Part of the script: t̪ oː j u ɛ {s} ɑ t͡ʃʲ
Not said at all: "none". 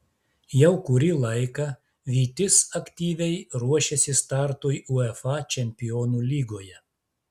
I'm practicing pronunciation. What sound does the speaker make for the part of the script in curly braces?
f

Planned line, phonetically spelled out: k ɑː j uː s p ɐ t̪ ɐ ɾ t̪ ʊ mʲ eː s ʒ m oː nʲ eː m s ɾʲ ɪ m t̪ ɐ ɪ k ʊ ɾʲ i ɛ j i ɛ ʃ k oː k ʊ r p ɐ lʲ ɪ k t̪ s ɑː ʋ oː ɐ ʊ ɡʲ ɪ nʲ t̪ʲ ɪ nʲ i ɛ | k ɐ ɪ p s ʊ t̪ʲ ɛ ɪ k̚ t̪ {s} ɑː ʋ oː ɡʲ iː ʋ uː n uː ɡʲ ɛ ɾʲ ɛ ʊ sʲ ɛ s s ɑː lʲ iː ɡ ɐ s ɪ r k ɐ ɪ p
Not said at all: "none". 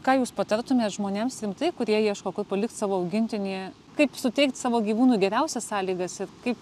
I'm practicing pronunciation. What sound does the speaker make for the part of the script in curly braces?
s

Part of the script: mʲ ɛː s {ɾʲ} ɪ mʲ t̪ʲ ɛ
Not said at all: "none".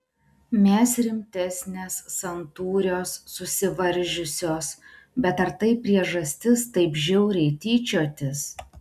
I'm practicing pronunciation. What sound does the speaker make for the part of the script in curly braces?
ɾʲ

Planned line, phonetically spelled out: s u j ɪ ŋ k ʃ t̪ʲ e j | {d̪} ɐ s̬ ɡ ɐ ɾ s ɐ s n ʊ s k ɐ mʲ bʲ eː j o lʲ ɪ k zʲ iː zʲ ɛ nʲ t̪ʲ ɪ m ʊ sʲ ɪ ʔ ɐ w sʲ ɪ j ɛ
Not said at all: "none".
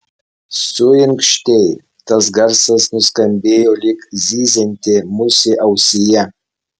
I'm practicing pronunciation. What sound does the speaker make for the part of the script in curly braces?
t̪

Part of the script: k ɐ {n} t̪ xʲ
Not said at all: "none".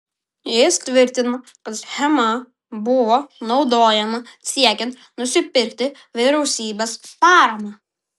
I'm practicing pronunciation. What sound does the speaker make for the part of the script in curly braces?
none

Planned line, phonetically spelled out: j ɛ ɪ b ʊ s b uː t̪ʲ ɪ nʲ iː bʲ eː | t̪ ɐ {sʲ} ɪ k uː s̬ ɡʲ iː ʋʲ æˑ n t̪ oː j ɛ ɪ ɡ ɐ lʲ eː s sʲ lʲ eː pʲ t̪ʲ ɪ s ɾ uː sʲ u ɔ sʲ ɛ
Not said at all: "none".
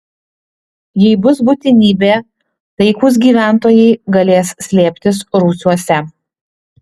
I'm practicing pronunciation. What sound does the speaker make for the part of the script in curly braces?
none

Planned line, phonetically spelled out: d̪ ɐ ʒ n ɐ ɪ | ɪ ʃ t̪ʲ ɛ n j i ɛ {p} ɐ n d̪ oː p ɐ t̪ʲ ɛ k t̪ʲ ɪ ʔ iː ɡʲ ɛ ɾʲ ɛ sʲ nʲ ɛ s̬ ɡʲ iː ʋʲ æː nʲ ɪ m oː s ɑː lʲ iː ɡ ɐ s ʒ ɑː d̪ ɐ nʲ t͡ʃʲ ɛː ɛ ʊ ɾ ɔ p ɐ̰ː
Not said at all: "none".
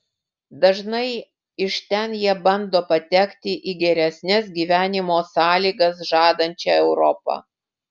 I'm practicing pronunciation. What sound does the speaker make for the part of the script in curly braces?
b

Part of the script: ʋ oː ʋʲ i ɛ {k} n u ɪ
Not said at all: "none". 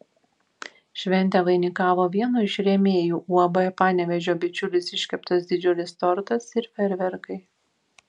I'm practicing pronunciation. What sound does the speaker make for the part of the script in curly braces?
none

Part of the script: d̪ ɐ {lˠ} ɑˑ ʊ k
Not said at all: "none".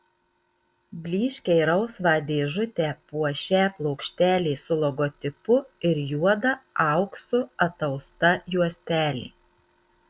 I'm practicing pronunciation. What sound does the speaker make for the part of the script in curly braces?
none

